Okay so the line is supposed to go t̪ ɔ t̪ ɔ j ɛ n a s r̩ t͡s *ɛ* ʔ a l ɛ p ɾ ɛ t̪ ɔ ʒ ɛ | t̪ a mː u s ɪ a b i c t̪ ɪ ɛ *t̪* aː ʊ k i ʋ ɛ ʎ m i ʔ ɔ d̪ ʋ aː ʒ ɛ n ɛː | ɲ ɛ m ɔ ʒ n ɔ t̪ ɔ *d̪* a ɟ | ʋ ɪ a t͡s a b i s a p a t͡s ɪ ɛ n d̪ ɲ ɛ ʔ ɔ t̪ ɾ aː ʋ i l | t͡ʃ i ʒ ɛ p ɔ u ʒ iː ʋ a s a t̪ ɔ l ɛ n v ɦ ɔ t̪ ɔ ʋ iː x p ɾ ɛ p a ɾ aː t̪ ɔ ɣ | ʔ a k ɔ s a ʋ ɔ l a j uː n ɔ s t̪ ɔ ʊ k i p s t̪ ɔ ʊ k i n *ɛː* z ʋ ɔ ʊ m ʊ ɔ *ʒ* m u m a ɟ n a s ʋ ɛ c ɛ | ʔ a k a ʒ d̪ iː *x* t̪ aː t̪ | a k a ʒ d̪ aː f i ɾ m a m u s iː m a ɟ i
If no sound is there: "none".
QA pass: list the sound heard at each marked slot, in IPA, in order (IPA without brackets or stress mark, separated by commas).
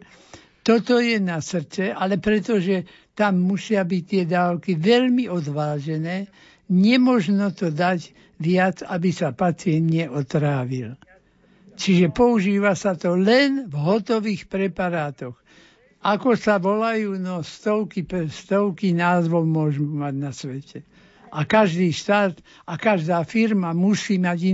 ɛ, d̪, d̪, aː, ʒ, ʃ